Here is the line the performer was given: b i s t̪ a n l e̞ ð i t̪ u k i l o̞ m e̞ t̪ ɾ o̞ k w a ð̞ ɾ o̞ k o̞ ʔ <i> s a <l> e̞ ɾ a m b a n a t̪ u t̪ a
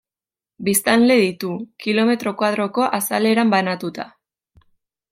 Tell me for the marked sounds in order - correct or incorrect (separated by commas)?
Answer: incorrect, correct